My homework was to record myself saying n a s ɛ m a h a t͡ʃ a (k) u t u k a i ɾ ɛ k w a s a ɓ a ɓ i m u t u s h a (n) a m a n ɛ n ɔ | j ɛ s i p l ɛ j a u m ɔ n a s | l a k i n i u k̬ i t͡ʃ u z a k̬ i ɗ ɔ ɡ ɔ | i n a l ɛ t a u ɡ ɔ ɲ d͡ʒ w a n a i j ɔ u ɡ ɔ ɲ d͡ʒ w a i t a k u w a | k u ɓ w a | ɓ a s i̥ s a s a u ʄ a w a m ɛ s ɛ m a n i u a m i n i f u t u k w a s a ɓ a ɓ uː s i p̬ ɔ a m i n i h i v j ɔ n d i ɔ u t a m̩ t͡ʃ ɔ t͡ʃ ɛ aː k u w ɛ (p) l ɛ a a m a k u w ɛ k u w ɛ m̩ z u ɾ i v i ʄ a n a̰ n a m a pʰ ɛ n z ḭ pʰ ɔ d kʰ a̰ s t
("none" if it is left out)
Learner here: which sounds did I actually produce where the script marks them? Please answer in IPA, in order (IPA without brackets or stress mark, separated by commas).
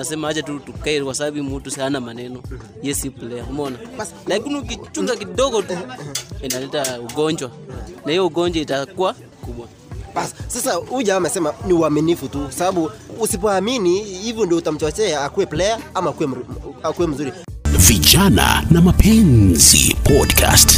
t, n, p